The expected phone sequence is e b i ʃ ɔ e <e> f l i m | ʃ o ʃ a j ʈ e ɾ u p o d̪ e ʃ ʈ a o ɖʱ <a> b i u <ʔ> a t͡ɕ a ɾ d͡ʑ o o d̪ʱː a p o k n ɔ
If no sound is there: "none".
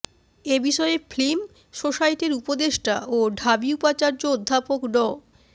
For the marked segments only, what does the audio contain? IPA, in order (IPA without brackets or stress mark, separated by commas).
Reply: e, a, p